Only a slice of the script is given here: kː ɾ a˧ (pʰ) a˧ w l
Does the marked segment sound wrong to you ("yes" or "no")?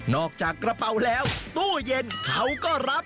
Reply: yes